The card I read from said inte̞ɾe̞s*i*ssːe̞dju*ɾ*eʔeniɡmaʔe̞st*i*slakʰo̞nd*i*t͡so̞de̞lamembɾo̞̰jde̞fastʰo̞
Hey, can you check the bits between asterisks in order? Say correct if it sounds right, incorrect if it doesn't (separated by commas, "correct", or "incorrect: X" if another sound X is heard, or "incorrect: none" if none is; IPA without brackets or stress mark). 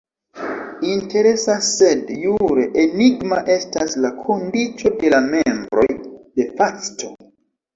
incorrect: a, correct, incorrect: a, correct